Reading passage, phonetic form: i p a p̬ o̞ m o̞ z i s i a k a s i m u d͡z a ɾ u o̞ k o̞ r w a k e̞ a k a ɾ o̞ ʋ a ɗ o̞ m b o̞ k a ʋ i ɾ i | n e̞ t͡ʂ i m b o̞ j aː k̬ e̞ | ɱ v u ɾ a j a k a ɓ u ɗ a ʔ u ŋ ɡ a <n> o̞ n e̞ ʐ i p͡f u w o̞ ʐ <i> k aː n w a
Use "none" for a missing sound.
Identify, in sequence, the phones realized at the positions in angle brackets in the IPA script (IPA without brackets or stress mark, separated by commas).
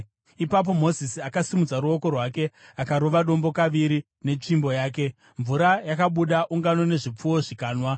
n, i